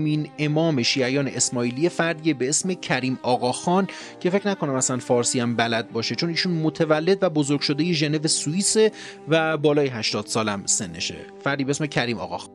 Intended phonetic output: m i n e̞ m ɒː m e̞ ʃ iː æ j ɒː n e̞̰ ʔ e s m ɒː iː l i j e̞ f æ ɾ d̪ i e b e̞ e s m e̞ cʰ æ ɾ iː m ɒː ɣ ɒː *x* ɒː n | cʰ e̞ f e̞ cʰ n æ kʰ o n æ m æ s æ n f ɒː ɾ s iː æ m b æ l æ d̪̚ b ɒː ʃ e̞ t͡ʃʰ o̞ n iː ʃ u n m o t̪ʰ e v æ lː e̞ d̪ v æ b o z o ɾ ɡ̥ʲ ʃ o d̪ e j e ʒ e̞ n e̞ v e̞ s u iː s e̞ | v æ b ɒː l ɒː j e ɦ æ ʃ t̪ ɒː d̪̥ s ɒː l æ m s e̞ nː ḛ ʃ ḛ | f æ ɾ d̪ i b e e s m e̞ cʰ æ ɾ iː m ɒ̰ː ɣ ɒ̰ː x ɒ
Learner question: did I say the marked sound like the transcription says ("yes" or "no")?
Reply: yes